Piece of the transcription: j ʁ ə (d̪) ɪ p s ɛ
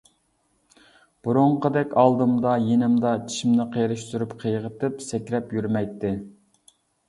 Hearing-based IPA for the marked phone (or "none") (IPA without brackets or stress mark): t̪